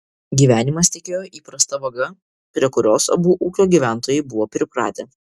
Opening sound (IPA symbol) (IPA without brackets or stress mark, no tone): ɡʲ